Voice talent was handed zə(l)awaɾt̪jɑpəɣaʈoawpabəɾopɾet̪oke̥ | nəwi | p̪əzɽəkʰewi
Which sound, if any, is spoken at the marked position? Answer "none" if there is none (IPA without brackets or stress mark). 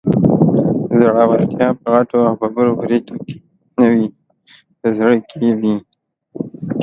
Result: ɽ